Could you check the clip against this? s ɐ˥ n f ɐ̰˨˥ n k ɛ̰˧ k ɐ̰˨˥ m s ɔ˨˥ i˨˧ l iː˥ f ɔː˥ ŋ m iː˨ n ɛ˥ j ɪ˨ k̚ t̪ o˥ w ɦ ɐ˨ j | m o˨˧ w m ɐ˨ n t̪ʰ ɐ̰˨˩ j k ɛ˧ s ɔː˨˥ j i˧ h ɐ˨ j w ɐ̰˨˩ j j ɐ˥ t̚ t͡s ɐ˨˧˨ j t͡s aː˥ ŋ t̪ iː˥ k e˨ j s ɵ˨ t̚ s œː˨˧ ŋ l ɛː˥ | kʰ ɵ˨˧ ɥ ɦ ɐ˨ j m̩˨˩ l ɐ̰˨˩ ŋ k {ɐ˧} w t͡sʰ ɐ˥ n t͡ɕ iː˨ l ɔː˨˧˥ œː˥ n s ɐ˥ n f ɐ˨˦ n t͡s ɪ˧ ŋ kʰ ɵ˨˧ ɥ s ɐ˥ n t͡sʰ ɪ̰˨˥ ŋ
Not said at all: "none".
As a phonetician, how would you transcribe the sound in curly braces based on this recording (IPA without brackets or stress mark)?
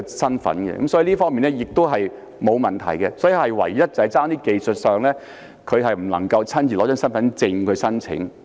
ɐ˧